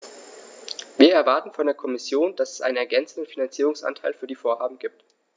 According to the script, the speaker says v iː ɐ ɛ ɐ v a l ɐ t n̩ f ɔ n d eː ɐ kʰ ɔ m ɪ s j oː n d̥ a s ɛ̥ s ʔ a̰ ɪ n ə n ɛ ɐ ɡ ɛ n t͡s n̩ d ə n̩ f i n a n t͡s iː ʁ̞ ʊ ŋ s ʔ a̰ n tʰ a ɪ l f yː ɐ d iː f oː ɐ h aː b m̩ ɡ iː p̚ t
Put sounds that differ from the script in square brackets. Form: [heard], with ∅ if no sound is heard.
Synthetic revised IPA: v iː ɐ ɛ ɐ v a [∅] ɐ t n̩ f ɔ n d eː ɐ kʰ ɔ m ɪ s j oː n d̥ a s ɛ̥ s ʔ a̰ ɪ n ə n ɛ ɐ ɡ ɛ n t͡s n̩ d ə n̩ f i n a n t͡s iː ʁ̞ ʊ ŋ s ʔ a̰ n tʰ a ɪ l f yː ɐ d iː f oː ɐ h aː b m̩ ɡ iː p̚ t